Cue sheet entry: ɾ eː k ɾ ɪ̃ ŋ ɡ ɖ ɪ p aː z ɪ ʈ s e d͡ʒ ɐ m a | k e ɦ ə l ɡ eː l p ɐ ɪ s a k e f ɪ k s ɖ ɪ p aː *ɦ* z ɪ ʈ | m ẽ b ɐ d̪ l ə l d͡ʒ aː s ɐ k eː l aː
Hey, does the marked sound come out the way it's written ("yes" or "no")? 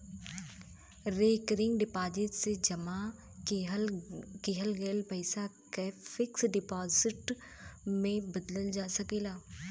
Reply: no